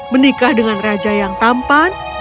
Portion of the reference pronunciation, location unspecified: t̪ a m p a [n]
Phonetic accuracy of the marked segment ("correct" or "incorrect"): correct